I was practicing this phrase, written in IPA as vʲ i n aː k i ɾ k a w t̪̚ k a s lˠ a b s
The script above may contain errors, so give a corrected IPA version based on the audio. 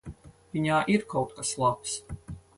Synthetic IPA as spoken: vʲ i ɲ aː ʔ i ɾ k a w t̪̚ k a s lˠ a p s